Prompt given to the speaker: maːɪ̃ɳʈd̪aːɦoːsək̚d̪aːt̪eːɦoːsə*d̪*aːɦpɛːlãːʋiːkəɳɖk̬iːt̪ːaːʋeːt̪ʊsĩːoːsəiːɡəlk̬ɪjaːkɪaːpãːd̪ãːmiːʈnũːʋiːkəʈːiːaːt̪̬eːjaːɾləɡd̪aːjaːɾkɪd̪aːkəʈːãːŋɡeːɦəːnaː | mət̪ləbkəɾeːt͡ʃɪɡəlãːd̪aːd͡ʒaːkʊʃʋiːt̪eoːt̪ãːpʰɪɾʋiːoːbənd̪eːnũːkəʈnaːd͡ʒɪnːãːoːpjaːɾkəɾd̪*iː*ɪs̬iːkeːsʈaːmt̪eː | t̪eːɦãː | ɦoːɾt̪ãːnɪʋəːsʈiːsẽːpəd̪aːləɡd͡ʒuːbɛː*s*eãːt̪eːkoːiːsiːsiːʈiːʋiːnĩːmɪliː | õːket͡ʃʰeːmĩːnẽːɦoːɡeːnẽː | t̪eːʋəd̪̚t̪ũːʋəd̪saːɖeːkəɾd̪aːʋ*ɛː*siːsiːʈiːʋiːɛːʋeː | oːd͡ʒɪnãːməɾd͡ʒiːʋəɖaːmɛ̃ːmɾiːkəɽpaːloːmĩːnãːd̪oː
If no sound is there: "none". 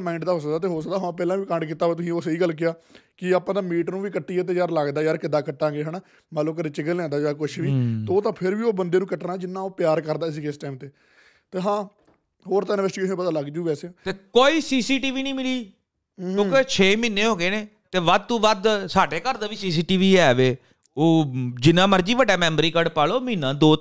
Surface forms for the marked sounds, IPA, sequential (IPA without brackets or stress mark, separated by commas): d̪, aː, s, iː